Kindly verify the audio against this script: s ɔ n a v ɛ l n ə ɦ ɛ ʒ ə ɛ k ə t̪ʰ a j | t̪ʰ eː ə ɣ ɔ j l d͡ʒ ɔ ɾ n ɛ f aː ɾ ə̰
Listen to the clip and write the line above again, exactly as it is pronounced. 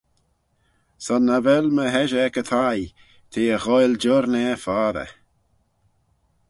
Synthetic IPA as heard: s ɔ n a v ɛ l m ə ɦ ɛ ʒ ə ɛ k ə t̪ʰ a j | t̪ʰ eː ə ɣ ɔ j l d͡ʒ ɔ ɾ n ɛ f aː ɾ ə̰